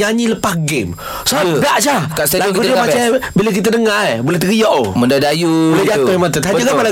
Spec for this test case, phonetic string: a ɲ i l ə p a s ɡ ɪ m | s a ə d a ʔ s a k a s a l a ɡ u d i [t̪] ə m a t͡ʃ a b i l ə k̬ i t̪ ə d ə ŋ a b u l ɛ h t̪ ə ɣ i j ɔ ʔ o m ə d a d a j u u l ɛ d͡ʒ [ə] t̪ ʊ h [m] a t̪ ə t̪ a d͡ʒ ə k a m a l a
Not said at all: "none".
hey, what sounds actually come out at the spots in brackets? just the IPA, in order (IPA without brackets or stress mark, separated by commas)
none, a, m